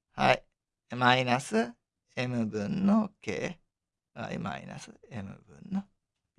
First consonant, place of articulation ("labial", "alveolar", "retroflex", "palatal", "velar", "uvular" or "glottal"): glottal